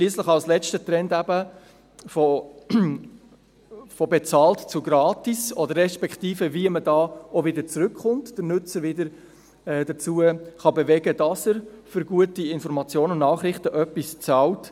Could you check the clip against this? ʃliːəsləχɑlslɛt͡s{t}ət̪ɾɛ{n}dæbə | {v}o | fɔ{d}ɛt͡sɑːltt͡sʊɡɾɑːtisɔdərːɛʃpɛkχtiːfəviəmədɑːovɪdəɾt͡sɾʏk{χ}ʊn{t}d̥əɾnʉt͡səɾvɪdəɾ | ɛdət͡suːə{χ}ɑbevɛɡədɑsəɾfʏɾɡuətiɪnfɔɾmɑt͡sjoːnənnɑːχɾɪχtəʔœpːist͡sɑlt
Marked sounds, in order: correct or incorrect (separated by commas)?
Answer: correct, correct, incorrect, incorrect, correct, correct, correct